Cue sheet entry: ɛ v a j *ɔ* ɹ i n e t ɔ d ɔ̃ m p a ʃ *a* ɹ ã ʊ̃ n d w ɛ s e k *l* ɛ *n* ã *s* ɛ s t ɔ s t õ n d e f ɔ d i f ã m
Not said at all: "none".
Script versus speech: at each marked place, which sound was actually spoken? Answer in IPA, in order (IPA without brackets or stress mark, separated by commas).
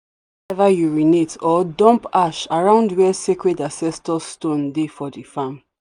u, a, ɹ, d, s